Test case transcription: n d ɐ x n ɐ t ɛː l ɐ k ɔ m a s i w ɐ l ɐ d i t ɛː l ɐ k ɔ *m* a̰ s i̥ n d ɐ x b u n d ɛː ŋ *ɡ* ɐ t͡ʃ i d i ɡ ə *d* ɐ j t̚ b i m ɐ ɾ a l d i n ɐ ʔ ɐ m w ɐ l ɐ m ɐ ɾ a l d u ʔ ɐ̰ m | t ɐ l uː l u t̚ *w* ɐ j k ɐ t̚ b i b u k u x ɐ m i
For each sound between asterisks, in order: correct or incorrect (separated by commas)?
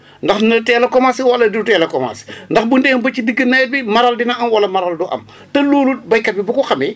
correct, incorrect, incorrect, incorrect